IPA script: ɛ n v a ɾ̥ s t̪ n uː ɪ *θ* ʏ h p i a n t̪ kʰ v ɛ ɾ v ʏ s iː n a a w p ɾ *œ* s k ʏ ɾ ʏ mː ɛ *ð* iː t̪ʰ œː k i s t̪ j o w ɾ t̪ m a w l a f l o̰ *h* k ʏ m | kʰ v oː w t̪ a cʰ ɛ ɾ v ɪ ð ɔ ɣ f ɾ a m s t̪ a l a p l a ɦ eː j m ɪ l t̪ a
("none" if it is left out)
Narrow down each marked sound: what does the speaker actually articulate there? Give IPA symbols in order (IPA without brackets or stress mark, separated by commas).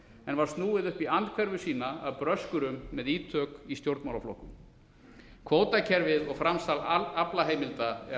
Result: ð, œ, ð, h